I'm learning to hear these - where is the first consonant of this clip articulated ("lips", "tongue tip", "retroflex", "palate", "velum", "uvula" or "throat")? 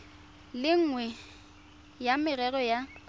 tongue tip